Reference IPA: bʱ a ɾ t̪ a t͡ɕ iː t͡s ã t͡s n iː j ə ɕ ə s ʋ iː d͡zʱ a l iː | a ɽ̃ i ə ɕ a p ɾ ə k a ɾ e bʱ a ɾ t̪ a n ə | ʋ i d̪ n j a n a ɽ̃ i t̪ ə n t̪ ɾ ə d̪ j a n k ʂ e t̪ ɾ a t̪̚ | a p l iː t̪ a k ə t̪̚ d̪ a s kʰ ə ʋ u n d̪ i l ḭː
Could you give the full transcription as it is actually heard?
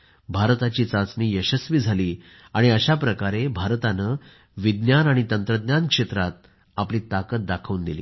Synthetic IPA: bʱ a ɾ t̪ a t͡ɕ iː t͡s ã t͡s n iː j ə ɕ ə s ʋ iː d͡zʱ a l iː | a ɽ̃ i ə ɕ a p ɾ ə k a ɾ e bʱ a ɾ t̪ a n ə | ʋ i d̪ n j a n a ɽ̃ i t̪ ə n t̪ ɾ ə d̪ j a n k ʂ e t̪ ɾ a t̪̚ | a p l iː t̪ a k ə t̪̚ d̪ a kʰ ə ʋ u n d̪ i l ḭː

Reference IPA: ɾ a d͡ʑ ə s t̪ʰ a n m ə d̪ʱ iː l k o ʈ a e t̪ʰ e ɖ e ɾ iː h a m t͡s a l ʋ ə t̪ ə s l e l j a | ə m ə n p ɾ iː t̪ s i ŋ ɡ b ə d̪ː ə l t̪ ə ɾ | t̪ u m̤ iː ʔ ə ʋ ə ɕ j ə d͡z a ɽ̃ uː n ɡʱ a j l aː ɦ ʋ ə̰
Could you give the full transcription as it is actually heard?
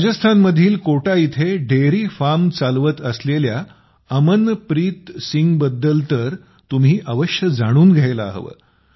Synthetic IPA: ɾ a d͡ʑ ə s t̪ʰ a n m ə d̪ʱ iː l k o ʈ a i t̪ʰ e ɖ e ɾ iː f a m t͡s a l ʋ ə t̪ ə s l e l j a | ə m ə n p ɾ iː t̪ s i ŋ ɡ b ə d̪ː ə l t̪ ə ɾ | t̪ u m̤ iː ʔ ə ʋ ə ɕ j ə d͡z a ɽ̃ uː n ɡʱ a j l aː ɦ ʋ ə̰

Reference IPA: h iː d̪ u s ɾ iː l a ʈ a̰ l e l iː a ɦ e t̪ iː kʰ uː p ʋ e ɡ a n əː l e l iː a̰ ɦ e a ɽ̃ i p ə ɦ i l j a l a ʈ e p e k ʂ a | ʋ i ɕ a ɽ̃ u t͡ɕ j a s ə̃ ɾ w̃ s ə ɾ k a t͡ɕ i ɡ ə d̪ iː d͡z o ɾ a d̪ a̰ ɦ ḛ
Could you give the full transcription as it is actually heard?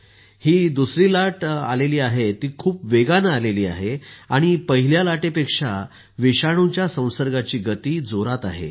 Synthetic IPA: h iː d̪ u s ɾ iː l a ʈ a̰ l e l iː a ɦ e t̪ iː kʰ uː p ʋ e ɡ a n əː l e l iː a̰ ɦ e a ɽ̃ i p ə ɦ i l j a l a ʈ e p e k ʂ a | ʋ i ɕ a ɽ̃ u t͡ɕ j a s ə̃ w̃ s ə ɾ ɡ a t͡ɕ iː ɡ ə t̪ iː d͡z o ɾ a t̪ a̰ ɦ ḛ

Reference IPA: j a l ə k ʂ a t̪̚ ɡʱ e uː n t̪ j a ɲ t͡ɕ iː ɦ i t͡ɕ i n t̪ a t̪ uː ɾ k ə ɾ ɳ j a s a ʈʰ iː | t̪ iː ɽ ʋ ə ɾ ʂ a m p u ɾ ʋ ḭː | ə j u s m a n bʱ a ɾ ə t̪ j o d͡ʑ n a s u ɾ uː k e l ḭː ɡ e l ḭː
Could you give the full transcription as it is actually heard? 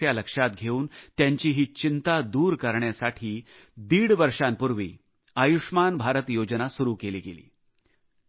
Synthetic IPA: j a l ə k ʂ a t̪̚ ɡʱ e uː n t̪ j a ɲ t͡ɕ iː ɦ iː t͡ɕ i n t̪ a d̪ uː ɾ k ə ɾ ɳ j a s a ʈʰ iː | d̪ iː ɽ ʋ ə ɾ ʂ a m p u ɾ ʋ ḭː | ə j u ʂ m a n bʱ a ɾ ə t̪ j o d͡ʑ n a s u ɾ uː k e l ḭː ɡ e l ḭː

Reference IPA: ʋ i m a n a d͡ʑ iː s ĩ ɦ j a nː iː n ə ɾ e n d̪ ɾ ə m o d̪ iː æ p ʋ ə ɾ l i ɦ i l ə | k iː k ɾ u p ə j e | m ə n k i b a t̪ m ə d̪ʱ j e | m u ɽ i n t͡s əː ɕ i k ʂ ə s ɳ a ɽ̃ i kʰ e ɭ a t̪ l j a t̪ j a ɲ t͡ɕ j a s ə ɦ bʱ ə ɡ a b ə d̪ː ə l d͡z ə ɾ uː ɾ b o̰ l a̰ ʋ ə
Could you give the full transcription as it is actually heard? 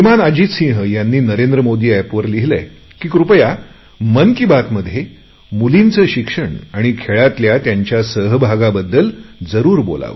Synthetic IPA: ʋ i m a n a d͡ʑ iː s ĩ ɦ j a nː iː n ə ɾ e n d̪ ɾ ə m o d̪ iː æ p ʋ ə ɾ l i ɦ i l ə | k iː k ɾ u p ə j a | m ə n k i b a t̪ m ə d̪ʱ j e | m u l i n t͡s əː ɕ i k ʂ ə ɳ a ɽ̃ i kʰ e ɭ a t̪ l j a t̪ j a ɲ t͡ɕ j a s ə ɦ bʱ a ɡ a b ə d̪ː ə l d͡z ə ɾ uː ɾ b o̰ l a̰ ʋ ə

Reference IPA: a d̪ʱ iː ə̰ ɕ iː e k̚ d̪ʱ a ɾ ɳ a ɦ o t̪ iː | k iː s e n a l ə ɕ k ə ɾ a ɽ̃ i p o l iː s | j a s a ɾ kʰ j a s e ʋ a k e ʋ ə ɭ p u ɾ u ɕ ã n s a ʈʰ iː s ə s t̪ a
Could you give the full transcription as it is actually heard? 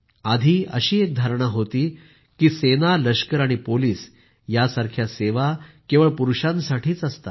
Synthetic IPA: a d̪ʱ iː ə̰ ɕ iː e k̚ d̪ʱ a ɾ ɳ a ɦ o t̪ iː | k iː s e n a l ə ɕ k ə ɾ a ɽ̃ i p o l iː s | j a s a ɾ kʰ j a s e ʋ a k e ʋ ə ɭ p u ɾ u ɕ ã n s a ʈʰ iː t͡s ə s t̪ a

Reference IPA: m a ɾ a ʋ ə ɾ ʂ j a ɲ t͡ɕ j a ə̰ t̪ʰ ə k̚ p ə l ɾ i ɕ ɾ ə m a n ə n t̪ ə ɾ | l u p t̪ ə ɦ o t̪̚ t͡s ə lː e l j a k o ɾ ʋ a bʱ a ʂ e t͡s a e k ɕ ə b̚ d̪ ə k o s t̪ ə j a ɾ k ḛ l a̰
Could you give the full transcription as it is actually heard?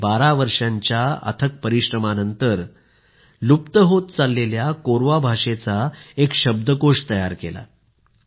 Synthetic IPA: b a ɾ a ʋ ə ɾ ʂ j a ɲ t͡ɕ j a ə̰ t̪ʰ ə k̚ p ə ɾ i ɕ ɾ ə m a n ə n t̪ ə ɾ | l u p t̪ ə ɦ o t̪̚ t͡s a lː e l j a k o ɾ ʋ a bʱ a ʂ e t͡s a e k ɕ ə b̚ d̪ ə k o ʂ t̪ ə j a ɾ k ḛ l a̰

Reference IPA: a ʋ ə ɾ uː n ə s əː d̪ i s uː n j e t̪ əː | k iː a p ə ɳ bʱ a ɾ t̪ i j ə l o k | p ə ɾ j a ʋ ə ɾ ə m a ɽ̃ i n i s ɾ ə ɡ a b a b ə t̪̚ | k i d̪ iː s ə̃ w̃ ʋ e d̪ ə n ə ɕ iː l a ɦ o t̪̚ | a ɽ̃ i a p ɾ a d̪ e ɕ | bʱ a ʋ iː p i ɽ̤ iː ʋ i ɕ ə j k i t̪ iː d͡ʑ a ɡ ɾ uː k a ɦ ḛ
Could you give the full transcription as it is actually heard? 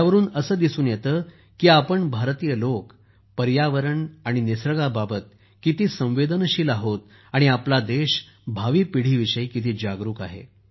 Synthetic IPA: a ʋ ə ɾ uː n ə s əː d̪ i s uː n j e t̪ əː | k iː a p ə ɳ bʱ a ɾ t̪ i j ə l o k | p ə ɾ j a ʋ ə ɾ ə ɳ a ɽ̃ i n i s ɾ ə ɡ a b a b ə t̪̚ | k i t̪ iː s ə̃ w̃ ʋ e d̪ ə n ə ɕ iː l a ɦ o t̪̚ | a ɽ̃ i a p l a d̪ e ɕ | bʱ a ʋ iː p i ɽ̤ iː ʋ i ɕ ə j k i t̪ iː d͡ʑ a ɡ ɾ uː k a ɦ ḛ

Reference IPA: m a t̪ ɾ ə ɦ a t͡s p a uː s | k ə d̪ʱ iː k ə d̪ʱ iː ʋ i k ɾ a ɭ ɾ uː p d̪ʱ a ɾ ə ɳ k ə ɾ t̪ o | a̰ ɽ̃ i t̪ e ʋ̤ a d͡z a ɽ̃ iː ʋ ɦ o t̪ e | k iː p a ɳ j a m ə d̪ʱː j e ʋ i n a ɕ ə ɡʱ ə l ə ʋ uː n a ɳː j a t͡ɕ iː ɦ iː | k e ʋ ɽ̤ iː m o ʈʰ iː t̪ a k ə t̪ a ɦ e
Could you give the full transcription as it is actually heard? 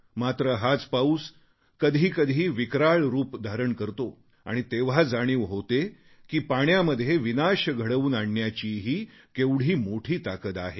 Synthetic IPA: m a t̪ ɾ ə ɦ a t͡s p a uː s | k ə d̪ʱ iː k ə d̪ʱ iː ʋ i k ɾ a ɭ ɾ uː p d̪ʱ a ɾ ə ɳ k ə ɾ t̪ o | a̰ ɽ̃ i t̪ e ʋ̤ a d͡z a ɽ̃ iː ʋ ɦ o t̪ e | k iː p a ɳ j a m ə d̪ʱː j e ʋ i n a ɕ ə ɡʱ ə ɽ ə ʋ uː n a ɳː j a t͡ɕ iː ɦ iː | k e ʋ ɽ̤ iː m o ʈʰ iː t̪ a k ə t̪ a ɦ e

